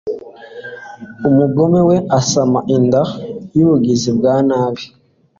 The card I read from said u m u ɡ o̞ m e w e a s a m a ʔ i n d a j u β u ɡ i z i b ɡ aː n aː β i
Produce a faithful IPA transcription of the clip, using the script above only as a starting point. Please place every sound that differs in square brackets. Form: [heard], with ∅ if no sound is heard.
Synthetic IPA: u m u ɡ o̞ m e w e a s a m a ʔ i n d a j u β u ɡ i z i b ɡ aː n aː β i